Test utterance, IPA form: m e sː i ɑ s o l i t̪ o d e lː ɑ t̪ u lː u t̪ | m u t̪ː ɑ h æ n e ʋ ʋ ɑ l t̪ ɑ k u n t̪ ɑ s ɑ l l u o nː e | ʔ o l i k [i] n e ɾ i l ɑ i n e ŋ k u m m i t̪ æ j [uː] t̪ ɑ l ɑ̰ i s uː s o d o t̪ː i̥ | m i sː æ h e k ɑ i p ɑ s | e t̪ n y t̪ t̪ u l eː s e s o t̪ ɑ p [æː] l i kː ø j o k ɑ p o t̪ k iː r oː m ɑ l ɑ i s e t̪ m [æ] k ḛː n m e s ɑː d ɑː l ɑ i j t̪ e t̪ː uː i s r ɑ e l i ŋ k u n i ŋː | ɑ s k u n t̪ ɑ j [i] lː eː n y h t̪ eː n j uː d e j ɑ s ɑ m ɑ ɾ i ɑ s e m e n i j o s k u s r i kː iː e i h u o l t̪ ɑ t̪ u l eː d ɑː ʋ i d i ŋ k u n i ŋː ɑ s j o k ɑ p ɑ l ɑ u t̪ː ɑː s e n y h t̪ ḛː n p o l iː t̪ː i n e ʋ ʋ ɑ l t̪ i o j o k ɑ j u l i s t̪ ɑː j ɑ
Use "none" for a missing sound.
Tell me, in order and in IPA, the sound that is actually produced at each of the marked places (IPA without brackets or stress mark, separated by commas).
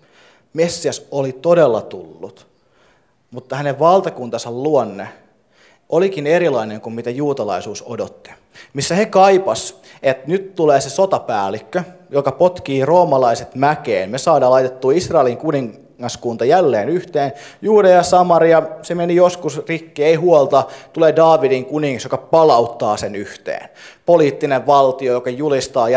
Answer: i, uː, æː, æ, æ